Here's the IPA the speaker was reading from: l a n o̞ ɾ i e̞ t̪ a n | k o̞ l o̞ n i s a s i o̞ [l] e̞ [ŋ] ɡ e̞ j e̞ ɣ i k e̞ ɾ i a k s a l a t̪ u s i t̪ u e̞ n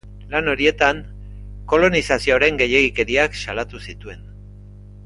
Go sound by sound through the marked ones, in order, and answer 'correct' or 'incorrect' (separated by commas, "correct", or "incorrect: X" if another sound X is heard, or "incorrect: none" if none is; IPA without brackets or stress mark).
incorrect: ɾ, correct